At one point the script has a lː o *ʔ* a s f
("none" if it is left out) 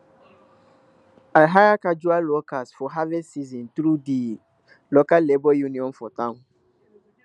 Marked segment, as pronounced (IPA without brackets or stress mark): k